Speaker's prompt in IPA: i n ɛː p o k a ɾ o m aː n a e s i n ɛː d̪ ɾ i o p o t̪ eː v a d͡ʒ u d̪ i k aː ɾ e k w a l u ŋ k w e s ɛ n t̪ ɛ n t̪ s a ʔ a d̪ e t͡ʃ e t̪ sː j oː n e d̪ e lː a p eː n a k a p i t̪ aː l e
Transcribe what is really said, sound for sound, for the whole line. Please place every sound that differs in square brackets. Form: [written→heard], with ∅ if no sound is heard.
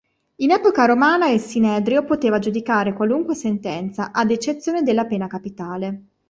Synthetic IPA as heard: i n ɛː p o k a ɾ o m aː n a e s i n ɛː d̪ ɾ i o p o t̪ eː v a d͡ʒ u d̪ i k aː ɾ e k w a l u ŋ k w e s [ɛ→e] n t̪ ɛ n t̪ s a ʔ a d̪ e t͡ʃ e t̪ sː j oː n e d̪ e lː a p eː n a k a p i t̪ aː l e